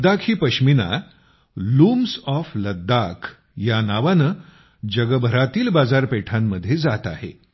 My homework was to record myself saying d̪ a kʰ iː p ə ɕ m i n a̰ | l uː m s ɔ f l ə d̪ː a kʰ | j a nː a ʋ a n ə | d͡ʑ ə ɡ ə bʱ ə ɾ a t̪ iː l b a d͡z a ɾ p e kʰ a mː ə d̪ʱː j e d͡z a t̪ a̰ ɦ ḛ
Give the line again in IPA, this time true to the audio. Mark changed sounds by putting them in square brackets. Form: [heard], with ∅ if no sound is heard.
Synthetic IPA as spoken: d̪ a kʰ iː p ə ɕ m i n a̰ | l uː m s ɔ f l ə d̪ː a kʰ | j a [n] a ʋ a n ə | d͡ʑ ə ɡ ə bʱ ə ɾ a t̪ iː l b a d͡z a ɾ p e [ʈʰ] a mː ə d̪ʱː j e d͡z a t̪ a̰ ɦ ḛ